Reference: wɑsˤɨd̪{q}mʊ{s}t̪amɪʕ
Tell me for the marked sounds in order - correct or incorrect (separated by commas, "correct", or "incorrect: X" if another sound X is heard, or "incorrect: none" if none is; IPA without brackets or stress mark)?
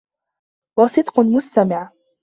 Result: correct, correct